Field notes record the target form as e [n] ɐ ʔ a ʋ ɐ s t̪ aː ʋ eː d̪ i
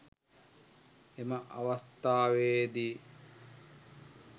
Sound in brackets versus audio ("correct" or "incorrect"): incorrect